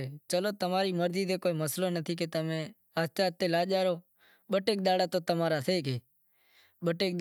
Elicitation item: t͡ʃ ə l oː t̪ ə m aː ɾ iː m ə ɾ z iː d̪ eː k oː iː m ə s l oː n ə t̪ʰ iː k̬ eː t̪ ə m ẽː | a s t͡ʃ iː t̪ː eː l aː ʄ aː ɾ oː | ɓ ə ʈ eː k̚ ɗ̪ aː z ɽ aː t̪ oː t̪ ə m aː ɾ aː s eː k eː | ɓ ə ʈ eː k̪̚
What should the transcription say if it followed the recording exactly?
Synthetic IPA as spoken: t͡ʃ ə l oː t̪ ə m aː ɾ iː m ə ɾ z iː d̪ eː k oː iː m ə s l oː n ə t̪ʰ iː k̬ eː t̪ ə m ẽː | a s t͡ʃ aː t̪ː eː l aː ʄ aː ɾ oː | ɓ ə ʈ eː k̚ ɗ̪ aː ɽ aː t̪ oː t̪ ə m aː ɾ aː s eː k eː | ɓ ə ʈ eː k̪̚